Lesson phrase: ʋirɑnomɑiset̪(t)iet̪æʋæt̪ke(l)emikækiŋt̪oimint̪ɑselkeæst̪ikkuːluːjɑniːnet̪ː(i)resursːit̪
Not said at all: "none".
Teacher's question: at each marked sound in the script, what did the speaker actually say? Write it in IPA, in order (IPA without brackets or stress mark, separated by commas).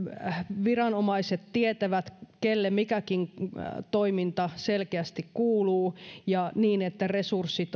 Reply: t, lː, æ